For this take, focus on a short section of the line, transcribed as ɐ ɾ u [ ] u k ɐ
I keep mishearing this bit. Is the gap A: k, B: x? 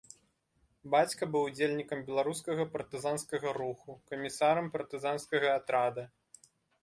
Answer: B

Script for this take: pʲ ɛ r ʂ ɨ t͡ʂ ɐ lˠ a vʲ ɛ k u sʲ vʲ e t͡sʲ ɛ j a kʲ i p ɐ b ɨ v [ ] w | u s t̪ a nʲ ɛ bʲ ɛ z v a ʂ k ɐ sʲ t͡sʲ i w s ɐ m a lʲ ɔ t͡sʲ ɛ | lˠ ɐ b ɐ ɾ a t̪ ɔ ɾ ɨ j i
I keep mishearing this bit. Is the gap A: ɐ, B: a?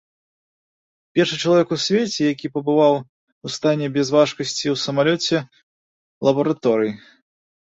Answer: B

